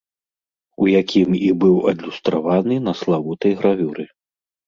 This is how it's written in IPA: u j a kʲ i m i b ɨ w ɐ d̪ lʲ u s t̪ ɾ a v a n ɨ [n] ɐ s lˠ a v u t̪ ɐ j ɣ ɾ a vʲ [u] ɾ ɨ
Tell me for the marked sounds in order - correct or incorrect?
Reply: correct, correct

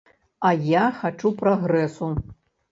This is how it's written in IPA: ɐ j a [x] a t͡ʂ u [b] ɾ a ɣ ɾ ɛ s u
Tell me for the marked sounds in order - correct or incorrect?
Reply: correct, incorrect: p

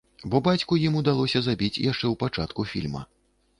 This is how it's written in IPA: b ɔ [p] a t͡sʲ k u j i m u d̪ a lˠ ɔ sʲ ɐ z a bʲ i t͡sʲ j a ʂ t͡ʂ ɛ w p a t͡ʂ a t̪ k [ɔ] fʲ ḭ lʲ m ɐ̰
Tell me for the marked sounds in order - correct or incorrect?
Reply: incorrect: b, incorrect: u

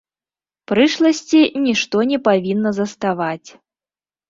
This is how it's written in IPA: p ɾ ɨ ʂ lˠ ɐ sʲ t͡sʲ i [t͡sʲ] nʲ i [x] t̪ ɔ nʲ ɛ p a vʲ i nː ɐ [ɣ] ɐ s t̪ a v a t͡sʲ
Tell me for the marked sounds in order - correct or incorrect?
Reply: incorrect: none, incorrect: ʂ, incorrect: z

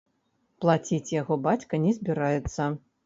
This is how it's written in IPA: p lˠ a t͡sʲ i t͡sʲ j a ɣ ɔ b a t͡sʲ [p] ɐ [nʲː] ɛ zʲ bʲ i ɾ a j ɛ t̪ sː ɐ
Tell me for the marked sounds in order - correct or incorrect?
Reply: incorrect: k, incorrect: nʲ

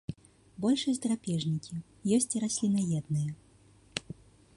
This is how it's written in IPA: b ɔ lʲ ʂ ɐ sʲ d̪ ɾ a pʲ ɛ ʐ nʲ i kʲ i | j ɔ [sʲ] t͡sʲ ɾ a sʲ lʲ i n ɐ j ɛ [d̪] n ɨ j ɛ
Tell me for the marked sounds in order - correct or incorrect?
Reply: correct, correct

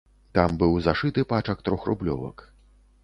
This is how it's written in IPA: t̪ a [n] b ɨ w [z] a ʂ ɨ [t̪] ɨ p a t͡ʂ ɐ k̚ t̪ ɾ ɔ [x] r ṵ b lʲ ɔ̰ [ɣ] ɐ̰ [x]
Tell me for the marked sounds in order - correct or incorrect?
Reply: incorrect: m, correct, correct, correct, incorrect: v, incorrect: k

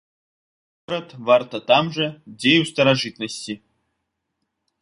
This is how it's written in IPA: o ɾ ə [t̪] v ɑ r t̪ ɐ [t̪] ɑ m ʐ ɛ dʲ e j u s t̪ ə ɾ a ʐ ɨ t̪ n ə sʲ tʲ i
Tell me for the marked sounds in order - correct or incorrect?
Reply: correct, correct

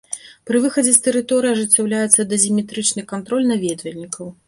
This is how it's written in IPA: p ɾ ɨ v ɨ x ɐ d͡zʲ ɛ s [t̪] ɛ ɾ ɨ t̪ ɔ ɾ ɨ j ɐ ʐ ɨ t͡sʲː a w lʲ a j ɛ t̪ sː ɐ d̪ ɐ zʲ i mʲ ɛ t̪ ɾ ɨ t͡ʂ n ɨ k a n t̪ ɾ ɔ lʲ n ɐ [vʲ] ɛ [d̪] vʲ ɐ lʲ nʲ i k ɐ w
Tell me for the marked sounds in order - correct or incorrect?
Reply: correct, correct, correct

